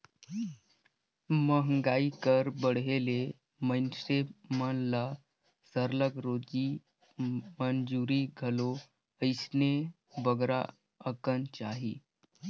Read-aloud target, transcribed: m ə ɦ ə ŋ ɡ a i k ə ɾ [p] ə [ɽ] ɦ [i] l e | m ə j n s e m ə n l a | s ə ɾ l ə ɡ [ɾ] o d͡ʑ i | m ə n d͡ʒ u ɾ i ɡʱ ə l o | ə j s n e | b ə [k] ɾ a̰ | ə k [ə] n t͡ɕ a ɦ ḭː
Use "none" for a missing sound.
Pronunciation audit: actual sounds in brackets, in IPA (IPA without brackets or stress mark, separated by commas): b, ɽ, e, ɾ, ɡ, ə